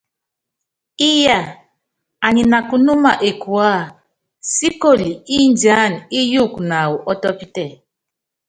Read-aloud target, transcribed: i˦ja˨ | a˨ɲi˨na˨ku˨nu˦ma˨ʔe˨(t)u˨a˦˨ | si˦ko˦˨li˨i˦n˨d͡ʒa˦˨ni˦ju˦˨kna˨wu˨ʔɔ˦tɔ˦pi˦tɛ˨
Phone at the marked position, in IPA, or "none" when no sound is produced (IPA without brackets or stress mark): k